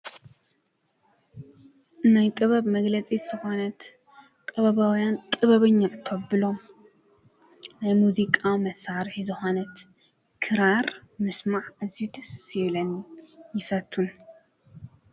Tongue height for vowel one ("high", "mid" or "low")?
low